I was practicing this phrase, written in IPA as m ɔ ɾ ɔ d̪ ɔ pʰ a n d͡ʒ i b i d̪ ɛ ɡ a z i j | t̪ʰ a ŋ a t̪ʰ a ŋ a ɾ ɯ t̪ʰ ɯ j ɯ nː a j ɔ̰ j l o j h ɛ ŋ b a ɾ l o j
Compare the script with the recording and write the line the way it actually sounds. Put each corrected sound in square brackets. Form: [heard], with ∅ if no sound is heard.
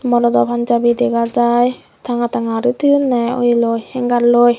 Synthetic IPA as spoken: m ɔ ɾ ɔ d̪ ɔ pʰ a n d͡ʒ [a] b i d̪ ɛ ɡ a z [a] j | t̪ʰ a ŋ a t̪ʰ a ŋ a ɾ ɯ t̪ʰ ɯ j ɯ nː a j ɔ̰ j l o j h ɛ ŋ [ɡ] a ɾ l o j